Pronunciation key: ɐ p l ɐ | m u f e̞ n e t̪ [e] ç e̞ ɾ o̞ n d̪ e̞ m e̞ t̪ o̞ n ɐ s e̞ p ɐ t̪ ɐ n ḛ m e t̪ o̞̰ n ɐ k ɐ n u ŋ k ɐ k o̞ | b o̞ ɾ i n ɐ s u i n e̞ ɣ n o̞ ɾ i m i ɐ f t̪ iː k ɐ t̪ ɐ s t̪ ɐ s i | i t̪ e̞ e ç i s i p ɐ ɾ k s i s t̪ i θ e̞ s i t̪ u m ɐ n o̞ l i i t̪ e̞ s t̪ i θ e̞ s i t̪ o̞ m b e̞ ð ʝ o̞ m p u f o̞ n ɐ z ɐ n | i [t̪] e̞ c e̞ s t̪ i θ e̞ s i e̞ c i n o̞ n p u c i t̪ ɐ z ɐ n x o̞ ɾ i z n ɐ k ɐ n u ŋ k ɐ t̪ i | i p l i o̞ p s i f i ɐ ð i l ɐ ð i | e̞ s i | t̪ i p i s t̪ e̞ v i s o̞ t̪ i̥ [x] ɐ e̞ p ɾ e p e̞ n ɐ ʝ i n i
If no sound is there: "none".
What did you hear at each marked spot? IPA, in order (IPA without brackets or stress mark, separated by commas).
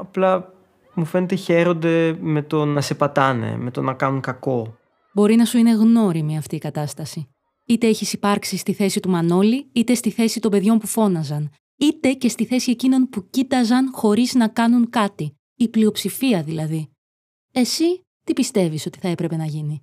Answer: e, t̪, θ